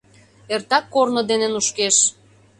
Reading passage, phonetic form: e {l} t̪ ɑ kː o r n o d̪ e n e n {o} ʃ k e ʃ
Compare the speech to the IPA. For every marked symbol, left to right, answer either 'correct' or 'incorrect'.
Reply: incorrect: r, incorrect: u

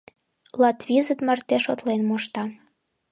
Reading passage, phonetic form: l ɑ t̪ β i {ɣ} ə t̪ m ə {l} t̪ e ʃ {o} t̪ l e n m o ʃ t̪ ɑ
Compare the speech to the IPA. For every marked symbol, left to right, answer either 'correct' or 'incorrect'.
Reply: incorrect: z, incorrect: r, correct

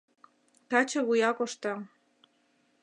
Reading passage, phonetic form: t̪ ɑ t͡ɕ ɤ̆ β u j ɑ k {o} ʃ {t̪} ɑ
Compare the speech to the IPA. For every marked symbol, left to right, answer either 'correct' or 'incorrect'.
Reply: correct, correct

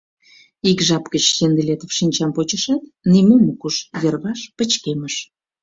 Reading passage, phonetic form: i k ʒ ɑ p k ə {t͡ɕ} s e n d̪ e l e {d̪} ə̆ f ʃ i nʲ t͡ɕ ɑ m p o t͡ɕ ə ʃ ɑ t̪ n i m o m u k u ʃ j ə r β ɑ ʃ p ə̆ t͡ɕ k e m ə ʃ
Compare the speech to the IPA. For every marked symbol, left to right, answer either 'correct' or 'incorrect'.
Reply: correct, incorrect: t̪

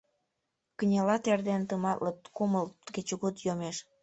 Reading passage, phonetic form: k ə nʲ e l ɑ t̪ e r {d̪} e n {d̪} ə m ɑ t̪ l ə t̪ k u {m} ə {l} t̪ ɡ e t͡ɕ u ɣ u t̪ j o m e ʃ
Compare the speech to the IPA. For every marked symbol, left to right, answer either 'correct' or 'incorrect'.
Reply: correct, incorrect: t̪, correct, correct

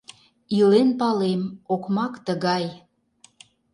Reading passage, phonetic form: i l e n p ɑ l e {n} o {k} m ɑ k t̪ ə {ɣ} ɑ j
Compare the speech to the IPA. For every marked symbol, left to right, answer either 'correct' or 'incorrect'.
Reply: incorrect: m, correct, correct

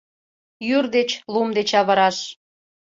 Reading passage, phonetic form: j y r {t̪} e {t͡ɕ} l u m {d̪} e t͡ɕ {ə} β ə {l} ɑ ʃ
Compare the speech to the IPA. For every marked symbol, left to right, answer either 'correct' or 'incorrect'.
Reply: incorrect: d̪, correct, correct, incorrect: ɑ, incorrect: ɾ

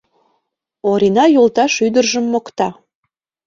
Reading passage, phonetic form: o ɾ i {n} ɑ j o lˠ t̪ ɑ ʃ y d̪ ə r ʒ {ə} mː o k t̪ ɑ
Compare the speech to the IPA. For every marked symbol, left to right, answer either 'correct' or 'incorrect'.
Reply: correct, correct

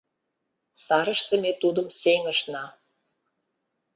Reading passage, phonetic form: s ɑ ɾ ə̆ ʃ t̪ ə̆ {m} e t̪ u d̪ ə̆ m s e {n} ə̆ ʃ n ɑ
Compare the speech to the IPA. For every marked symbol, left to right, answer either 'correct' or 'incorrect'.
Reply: correct, incorrect: ŋ

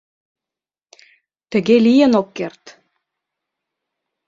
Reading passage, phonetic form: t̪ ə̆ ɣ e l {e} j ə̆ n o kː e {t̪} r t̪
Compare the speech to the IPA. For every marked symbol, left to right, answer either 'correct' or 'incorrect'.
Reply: incorrect: i, incorrect: none

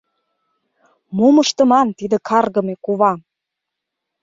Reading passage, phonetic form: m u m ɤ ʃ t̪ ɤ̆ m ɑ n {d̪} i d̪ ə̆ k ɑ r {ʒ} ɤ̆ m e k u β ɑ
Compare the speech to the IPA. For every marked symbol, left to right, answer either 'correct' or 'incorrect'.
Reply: incorrect: t̪, incorrect: ɣ

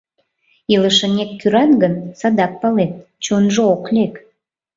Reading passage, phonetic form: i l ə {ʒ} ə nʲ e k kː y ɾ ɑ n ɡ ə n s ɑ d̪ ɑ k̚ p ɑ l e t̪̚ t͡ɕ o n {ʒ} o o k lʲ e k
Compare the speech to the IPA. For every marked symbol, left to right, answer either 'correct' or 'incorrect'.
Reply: incorrect: ʃ, correct

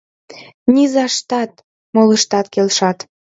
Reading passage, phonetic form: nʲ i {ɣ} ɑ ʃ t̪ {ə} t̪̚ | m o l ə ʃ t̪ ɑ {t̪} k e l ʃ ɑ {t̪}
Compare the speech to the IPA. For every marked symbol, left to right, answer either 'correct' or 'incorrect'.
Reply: incorrect: z, incorrect: ɑ, correct, correct

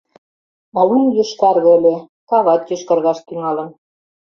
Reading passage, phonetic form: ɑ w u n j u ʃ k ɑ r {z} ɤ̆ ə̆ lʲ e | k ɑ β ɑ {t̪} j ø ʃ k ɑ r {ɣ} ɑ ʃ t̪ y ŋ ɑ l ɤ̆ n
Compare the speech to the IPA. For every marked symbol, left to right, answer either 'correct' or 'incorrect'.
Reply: incorrect: ɣ, correct, correct

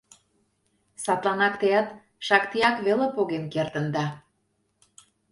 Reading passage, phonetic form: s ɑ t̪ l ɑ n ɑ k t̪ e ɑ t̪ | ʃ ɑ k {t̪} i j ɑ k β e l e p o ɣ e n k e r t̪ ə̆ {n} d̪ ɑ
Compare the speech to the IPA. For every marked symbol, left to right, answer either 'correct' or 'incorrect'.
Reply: correct, correct

